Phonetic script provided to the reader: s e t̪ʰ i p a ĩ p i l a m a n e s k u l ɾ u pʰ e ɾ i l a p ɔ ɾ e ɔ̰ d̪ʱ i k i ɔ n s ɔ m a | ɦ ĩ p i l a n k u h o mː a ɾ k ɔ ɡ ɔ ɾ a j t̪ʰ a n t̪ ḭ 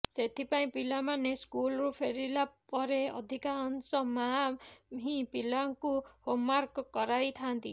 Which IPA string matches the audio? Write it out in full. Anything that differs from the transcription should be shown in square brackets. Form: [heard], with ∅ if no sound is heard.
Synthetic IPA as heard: s e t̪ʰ i p a ĩ p i l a m a n e s k u l ɾ u pʰ e ɾ i l a p ɔ ɾ e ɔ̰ d̪ʱ i k [a] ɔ n s ɔ m a | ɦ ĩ p i l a [ŋ] k u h o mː a ɾ k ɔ [k] ɔ ɾ a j t̪ʰ a n t̪ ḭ